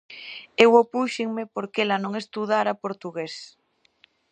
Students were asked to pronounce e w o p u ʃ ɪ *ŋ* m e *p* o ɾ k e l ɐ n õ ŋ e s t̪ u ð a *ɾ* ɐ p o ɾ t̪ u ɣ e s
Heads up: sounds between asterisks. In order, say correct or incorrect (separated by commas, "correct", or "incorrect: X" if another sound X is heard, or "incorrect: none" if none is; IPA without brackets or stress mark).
correct, correct, correct